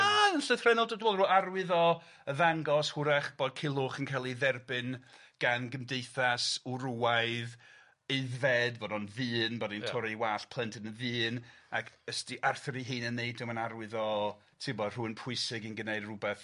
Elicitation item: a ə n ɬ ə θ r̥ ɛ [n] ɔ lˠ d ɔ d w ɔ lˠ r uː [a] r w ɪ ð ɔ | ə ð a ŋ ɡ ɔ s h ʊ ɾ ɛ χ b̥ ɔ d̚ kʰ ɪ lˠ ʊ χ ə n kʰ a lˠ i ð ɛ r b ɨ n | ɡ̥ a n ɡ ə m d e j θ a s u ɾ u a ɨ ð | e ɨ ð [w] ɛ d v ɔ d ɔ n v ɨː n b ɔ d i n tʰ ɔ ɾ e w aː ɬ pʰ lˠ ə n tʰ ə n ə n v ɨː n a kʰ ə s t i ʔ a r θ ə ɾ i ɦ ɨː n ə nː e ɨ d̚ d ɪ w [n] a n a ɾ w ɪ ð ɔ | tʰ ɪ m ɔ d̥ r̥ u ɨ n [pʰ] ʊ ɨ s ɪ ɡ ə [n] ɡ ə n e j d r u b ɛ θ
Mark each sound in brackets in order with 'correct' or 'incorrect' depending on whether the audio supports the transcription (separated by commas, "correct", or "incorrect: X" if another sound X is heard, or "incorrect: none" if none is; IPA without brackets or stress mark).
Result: correct, correct, incorrect: v, incorrect: m, correct, correct